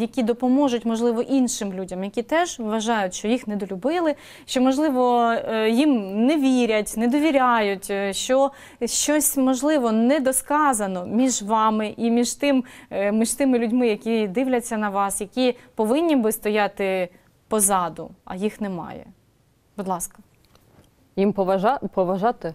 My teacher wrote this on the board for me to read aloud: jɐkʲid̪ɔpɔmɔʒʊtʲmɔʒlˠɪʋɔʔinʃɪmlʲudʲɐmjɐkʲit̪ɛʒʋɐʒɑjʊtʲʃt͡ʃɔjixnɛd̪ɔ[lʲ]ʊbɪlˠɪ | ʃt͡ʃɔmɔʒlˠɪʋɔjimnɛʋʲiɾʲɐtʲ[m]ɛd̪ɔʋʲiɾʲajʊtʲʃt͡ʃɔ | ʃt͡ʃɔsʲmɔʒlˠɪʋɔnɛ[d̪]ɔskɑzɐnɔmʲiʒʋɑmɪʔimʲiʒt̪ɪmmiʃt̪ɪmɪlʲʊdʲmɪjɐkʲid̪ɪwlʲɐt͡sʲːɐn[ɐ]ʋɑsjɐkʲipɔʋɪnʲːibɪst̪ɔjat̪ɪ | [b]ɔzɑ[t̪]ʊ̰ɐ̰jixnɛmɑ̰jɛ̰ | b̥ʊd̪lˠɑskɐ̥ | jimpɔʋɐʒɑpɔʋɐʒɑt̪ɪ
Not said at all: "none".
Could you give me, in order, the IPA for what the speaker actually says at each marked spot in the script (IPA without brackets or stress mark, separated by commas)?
lʲ, n, d̪, ɐ, p, d̪